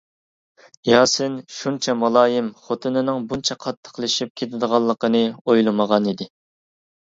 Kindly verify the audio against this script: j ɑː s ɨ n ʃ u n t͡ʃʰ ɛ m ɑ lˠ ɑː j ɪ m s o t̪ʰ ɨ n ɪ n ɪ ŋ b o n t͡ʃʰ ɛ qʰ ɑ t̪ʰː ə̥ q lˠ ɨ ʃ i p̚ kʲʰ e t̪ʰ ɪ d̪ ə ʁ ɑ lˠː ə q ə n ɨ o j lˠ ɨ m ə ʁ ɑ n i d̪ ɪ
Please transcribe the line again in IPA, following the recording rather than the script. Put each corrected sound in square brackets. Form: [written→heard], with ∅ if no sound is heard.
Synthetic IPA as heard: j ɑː s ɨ n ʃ u n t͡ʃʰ ɛ m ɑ lˠ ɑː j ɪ m [s→χ] o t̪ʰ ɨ n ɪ n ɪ ŋ b [o→u] n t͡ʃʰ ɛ qʰ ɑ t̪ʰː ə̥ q lˠ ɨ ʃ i p̚ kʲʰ e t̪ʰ ɪ d̪ ə ʁ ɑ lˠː ə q ə n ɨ o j lˠ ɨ m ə ʁ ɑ n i d̪ ɪ

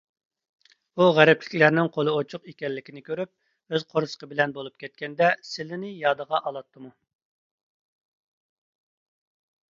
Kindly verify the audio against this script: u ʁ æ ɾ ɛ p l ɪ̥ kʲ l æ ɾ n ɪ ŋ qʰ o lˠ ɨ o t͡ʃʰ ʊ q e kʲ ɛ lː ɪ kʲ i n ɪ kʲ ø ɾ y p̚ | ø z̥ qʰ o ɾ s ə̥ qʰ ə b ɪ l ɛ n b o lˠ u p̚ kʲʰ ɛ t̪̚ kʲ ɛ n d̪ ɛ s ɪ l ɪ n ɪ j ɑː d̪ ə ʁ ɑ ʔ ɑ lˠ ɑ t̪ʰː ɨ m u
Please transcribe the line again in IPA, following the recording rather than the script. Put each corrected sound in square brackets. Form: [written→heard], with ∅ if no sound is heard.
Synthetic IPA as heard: u ʁ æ ɾ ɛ p l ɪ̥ kʲ l æ ɾ n ɪ ŋ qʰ o lˠ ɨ o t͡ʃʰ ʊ q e kʲ ɛ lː ɪ kʲ i n ɪ kʲ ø ɾ y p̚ | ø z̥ qʰ o ɾ s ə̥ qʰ ə b ɪ l ɛ n b o lˠ u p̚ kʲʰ ɛ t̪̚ kʲ ɛ n d̪ ɛ s ɪ l ɪ n ɪ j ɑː d̪ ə ʁ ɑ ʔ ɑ lˠ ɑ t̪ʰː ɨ m u

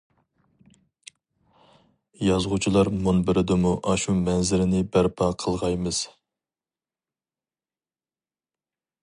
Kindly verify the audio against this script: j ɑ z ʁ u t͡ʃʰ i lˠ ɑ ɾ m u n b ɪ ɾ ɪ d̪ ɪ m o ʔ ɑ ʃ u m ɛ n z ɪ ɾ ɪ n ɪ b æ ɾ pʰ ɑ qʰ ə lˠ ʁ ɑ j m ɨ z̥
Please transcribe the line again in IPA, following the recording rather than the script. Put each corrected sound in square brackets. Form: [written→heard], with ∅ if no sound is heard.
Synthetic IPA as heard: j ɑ z ʁ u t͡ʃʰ i lˠ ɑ ɾ m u n b ɪ ɾ ɪ d̪ ɪ m [o→u] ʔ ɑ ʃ u m ɛ n z ɪ ɾ ɪ n ɪ b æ ɾ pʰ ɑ qʰ ə lˠ ʁ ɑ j m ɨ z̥

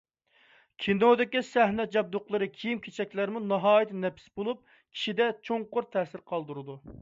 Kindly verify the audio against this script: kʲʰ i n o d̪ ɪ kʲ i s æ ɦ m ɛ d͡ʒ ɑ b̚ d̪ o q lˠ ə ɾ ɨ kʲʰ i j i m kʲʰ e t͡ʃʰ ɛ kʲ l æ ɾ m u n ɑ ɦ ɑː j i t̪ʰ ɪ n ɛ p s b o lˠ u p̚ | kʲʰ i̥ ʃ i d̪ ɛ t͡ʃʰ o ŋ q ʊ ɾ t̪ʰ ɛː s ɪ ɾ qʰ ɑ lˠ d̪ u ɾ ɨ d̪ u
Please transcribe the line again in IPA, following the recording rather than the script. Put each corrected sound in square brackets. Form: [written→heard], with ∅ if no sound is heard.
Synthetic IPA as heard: kʲʰ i n o d̪ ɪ kʲ i s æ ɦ [m→n] ɛ d͡ʒ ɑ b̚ d̪ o q lˠ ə ɾ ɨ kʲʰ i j i m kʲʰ e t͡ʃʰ ɛ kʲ l æ ɾ m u n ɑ ɦ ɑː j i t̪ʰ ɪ n ɛ p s b o lˠ u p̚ | kʲʰ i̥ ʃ i d̪ ɛ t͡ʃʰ o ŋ q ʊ ɾ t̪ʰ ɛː s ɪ ɾ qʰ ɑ lˠ d̪ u ɾ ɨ d̪ u

